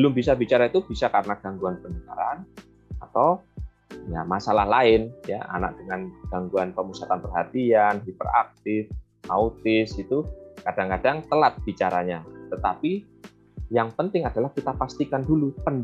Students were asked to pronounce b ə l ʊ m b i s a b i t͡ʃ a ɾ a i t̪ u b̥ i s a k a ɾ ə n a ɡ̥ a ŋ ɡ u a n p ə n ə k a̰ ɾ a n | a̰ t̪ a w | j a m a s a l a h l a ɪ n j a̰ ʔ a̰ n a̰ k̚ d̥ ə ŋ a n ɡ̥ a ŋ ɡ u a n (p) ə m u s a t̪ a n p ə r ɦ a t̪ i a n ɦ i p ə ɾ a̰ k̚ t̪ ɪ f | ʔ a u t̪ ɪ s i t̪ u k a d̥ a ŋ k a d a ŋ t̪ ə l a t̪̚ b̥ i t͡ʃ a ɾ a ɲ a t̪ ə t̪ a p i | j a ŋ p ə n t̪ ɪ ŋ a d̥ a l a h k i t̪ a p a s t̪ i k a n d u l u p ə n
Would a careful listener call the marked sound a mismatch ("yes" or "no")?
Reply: no